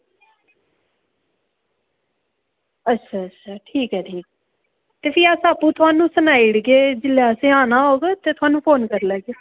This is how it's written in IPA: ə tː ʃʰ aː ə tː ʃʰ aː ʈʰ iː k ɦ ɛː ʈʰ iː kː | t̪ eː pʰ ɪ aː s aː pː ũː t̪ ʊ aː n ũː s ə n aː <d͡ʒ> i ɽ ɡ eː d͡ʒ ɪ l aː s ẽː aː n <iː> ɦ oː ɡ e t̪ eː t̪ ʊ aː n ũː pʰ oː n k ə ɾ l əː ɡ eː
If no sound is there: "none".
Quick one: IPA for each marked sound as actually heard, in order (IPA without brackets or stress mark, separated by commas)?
none, aː